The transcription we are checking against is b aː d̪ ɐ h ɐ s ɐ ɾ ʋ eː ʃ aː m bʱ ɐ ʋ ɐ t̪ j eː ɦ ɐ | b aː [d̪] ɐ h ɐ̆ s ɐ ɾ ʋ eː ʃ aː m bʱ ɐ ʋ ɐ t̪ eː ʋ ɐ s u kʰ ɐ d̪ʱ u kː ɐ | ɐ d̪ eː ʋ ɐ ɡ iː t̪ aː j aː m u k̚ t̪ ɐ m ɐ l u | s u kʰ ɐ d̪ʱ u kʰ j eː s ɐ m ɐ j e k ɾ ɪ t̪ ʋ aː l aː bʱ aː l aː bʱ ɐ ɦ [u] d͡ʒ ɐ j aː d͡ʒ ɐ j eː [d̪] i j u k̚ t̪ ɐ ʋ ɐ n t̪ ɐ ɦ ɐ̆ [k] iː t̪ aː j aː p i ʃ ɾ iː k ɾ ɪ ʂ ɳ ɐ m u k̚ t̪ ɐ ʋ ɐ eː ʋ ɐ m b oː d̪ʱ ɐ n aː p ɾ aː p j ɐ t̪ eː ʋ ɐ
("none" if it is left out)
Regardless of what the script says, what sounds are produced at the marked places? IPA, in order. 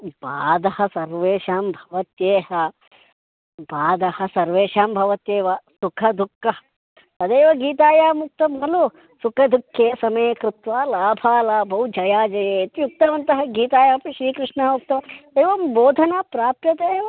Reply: d̪, u, t̪, ɡ

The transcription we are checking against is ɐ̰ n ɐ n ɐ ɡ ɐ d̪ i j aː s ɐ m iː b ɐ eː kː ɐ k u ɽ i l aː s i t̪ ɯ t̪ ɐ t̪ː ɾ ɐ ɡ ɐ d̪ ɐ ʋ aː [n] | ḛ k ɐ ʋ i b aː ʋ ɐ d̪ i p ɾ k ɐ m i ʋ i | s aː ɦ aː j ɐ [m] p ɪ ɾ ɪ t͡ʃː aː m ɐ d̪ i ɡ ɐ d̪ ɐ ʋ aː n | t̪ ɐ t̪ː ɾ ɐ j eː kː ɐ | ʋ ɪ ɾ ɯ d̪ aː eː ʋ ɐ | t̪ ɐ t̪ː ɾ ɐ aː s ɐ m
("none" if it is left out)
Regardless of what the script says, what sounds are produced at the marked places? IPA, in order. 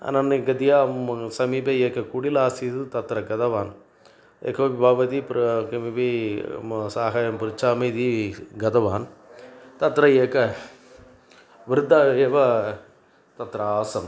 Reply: n, m

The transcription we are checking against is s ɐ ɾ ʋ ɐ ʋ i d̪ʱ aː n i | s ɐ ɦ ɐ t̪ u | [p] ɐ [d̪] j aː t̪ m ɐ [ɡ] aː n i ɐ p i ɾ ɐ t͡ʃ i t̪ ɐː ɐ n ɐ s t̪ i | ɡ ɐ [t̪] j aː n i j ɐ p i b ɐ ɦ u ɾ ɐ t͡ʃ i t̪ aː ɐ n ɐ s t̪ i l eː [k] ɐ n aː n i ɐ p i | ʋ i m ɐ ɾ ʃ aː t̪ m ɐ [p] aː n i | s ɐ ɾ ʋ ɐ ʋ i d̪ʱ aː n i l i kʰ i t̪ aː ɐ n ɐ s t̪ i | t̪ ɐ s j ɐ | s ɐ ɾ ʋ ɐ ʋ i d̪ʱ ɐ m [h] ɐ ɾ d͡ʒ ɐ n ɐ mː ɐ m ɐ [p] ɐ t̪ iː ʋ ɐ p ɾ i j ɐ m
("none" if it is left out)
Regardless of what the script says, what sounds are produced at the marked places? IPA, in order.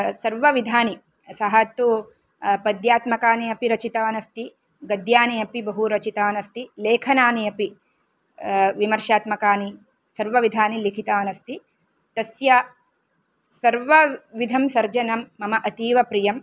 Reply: p, d̪, k, d̪, kʰ, k, s, ʔ

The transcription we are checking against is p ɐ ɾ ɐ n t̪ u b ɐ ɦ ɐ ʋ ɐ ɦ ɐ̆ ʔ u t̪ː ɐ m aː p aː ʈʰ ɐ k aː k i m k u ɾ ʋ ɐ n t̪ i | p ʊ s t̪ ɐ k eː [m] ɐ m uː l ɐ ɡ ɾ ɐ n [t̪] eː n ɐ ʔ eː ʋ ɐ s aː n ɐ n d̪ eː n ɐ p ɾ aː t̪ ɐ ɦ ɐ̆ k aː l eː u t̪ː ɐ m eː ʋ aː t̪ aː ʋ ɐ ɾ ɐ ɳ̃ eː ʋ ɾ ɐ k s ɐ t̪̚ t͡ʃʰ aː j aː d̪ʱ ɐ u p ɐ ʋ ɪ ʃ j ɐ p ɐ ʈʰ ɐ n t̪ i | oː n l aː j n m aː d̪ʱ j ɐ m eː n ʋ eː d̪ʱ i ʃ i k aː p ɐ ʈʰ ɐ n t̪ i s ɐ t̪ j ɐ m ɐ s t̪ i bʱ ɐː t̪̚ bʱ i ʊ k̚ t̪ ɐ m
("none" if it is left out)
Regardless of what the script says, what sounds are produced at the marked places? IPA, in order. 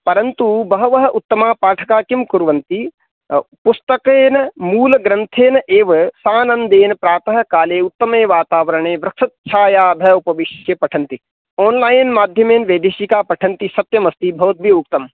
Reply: n, t̪ʰ

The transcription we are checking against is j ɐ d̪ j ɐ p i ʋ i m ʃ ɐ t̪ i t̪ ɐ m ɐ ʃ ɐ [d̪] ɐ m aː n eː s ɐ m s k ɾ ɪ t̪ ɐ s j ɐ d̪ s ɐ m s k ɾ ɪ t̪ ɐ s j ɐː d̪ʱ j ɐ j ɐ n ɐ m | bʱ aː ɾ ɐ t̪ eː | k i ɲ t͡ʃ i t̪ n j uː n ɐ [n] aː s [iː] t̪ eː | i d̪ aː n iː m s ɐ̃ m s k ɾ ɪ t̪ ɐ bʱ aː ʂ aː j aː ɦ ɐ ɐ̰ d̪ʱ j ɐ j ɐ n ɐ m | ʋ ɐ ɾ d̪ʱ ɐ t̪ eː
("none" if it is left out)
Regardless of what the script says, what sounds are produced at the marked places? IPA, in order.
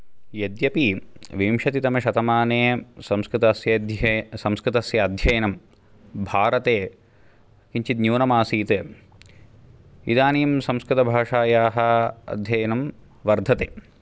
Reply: t̪, m, iː

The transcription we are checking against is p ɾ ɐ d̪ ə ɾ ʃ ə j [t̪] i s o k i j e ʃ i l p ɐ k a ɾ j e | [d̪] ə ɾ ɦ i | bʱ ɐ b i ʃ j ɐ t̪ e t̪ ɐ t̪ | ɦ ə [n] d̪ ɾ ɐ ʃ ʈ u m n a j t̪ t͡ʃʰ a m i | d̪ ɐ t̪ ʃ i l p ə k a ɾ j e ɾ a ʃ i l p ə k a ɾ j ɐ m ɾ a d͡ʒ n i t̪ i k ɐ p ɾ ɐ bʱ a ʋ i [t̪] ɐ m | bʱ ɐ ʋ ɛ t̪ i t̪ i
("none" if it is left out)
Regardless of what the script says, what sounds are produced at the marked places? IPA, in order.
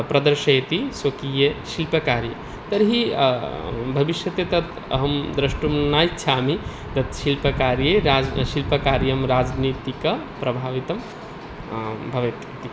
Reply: t̪, t̪, m, t̪

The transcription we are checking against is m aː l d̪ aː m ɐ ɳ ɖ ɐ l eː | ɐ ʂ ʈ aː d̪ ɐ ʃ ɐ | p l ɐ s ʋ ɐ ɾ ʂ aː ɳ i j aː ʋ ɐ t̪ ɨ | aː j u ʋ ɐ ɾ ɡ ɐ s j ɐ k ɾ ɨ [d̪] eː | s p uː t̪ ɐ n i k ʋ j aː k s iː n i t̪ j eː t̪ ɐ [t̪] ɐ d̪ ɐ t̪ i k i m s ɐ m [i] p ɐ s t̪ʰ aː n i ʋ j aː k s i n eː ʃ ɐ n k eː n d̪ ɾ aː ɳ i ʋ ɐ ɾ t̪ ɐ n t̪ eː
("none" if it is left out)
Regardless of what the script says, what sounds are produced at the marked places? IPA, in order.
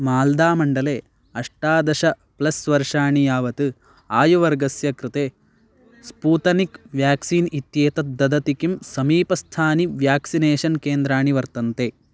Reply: t̪, d̪, iː

